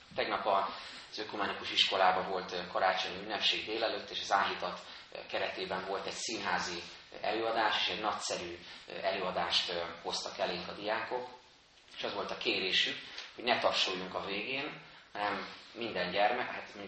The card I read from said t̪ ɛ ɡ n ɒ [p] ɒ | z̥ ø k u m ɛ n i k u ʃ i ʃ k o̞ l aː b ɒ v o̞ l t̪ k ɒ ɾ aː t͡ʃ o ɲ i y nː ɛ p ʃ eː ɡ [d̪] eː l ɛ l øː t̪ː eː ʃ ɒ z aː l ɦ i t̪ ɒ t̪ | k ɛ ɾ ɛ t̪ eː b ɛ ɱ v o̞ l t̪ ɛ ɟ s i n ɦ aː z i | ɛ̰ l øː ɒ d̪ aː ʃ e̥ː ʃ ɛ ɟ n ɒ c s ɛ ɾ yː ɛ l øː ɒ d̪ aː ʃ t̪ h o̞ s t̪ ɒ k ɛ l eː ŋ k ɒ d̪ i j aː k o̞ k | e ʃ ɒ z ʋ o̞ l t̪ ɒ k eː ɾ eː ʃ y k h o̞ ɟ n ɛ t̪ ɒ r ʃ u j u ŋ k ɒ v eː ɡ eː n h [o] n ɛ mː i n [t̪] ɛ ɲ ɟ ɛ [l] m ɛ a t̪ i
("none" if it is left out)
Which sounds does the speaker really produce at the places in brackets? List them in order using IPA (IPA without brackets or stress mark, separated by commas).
p, d̪, ɒ, d̪, r